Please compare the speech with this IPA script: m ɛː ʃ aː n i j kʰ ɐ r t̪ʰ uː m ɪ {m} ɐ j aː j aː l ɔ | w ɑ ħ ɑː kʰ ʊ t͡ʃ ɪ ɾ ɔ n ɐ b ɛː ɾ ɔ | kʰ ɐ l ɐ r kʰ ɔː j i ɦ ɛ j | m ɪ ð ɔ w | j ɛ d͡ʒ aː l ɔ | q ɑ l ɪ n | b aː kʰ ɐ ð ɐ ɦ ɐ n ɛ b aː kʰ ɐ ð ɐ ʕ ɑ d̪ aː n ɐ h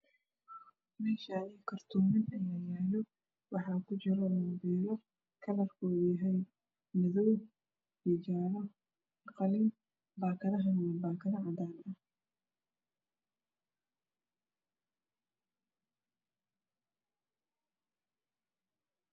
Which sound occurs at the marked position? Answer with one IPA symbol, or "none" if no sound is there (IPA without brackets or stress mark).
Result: n